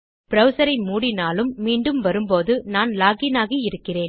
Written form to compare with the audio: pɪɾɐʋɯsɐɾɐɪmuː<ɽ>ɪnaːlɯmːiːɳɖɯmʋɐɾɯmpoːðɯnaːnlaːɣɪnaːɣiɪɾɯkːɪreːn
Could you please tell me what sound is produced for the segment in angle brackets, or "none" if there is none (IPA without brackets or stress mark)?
ɽ